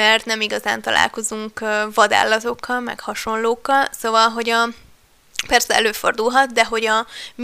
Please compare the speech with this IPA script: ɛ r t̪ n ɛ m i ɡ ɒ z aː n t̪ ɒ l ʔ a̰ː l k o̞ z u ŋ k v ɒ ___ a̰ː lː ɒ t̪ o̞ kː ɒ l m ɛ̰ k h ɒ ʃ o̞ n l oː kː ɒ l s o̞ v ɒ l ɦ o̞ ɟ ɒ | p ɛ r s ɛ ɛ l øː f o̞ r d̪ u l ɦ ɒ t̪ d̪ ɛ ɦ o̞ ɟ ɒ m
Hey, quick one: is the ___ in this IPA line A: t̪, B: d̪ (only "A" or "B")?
B